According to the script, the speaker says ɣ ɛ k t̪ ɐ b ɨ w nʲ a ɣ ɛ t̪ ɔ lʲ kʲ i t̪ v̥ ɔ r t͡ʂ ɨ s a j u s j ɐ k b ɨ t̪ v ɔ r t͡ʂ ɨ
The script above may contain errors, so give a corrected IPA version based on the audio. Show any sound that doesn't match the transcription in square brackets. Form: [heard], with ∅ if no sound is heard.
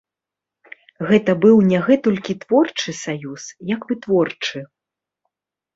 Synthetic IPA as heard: ɣ ɛ [∅] t̪ ɐ b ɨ w nʲ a ɣ ɛ t̪ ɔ lʲ kʲ i t̪ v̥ ɔ r t͡ʂ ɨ s a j u s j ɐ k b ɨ t̪ v ɔ r t͡ʂ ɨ